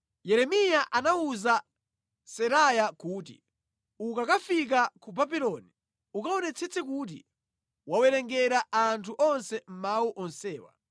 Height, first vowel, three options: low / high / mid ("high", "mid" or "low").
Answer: mid